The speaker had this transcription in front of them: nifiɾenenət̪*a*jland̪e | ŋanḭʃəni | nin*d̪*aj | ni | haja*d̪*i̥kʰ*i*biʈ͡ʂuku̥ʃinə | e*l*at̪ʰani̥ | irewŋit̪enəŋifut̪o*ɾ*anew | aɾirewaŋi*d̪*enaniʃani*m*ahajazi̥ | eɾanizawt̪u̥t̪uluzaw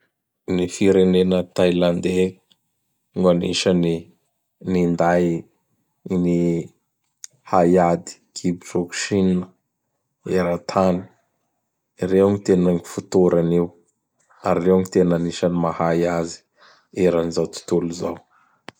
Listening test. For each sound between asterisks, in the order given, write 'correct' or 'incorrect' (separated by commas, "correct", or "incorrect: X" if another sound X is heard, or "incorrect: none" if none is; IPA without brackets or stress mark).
correct, correct, correct, correct, incorrect: ɾ, correct, incorrect: t̪, correct